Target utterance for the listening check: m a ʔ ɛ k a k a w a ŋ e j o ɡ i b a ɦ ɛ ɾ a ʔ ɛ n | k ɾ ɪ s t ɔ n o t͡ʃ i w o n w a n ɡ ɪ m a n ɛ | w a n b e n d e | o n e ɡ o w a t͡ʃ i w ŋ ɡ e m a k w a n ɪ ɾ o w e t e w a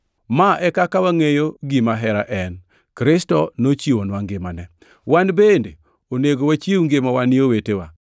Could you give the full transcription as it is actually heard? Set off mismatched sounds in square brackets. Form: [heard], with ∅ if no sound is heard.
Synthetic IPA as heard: m a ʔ ɛ k a k a w a ŋ e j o ɡ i [m] a ɦ ɛ ɾ a ʔ ɛ n | k ɾ ɪ s t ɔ n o t͡ʃ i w o n w a [ŋ] ɡ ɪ m a n ɛ | w a n b e n d e | o n e ɡ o w a t͡ʃ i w ŋ ɡ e m a [∅] w a n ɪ [∅] o w e t e w a